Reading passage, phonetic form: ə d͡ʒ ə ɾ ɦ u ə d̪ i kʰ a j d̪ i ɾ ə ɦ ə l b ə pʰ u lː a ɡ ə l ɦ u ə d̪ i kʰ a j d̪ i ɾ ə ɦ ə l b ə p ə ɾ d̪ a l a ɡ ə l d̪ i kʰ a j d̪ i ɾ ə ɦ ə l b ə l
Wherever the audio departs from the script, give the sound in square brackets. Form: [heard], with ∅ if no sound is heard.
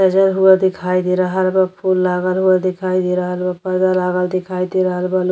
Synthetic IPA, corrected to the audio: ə d͡ʒ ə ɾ ɦ u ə d̪ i kʰ a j d̪ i ɾ ə ɦ ə l b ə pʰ u lː a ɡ ə l ɦ u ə d̪ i kʰ a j d̪ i ɾ ə ɦ ə l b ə p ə ɾ d̪ a l a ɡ ə l d̪ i kʰ a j d̪ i ɾ ə ɦ ə l b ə l